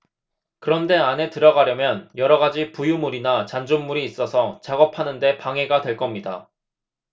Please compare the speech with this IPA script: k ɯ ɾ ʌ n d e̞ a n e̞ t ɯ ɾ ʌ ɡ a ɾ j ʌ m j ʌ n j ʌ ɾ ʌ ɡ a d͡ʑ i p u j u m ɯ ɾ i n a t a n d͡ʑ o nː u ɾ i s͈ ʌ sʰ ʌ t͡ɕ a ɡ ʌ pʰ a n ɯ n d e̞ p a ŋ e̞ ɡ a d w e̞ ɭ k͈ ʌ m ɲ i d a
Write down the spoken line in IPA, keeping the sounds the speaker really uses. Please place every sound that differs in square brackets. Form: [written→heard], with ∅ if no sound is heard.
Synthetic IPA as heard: k ɯ ɾ ʌ n d e̞ a n e̞ t ɯ ɾ ʌ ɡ a ɾ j ʌ m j ʌ n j ʌ ɾ ʌ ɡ a d͡ʑ i p u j u m [ɯ→u] ɾ i n a [t→t͡ɕ] a n d͡ʑ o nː u ɾ [i→iː] s͈ ʌ sʰ ʌ t͡ɕ a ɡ ʌ pʰ a n ɯ n d e̞ p a ŋ e̞ ɡ a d w e̞ ɭ k͈ ʌ m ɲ i d a